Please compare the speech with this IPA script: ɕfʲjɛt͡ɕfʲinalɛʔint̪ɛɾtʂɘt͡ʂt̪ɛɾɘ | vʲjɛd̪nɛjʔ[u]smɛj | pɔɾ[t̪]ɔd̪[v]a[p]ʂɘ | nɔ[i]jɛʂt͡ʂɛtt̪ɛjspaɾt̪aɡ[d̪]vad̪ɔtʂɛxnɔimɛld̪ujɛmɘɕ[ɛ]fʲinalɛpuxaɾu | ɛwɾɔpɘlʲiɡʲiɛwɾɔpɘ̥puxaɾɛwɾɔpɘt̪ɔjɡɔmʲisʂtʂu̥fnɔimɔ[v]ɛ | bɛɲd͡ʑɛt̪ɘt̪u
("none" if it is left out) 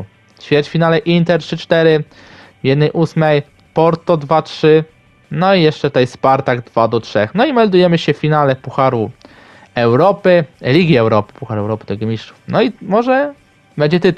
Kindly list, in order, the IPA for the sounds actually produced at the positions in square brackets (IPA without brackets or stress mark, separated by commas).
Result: u, t̪, v, t, i, d̪, ɛ, ʐ